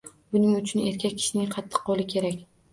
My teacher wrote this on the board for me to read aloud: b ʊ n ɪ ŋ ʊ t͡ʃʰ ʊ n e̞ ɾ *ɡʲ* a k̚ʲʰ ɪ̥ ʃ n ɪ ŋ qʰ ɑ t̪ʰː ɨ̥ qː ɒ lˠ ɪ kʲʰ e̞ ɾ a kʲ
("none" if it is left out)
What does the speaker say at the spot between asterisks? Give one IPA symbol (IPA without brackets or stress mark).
kʲ